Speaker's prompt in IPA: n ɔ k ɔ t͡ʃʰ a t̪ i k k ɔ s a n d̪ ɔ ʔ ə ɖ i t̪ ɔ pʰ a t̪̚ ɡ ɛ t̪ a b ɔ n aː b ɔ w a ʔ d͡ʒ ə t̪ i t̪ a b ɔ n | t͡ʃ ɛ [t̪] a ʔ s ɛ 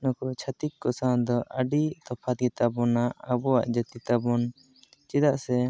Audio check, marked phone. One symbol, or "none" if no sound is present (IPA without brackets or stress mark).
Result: d̪